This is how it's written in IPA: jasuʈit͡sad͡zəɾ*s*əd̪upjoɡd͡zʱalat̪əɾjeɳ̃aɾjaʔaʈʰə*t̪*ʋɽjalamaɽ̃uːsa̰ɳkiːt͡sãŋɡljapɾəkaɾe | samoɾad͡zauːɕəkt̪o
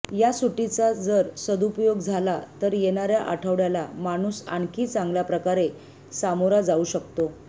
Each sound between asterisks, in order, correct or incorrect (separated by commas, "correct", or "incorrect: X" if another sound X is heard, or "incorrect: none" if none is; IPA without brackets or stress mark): correct, incorrect: none